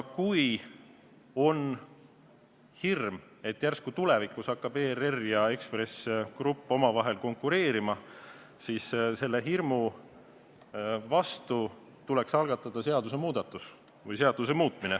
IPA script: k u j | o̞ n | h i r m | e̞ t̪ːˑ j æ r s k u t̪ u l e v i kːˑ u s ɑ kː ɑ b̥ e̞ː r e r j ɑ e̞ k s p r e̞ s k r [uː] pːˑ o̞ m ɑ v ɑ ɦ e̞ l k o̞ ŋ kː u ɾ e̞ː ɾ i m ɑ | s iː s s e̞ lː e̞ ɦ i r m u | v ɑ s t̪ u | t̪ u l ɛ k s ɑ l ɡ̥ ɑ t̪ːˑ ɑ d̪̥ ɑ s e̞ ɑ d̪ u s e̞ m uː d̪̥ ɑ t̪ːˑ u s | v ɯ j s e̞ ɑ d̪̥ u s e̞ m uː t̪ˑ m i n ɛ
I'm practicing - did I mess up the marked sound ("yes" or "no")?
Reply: yes